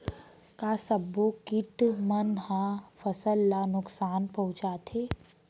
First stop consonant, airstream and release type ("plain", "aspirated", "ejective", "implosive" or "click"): plain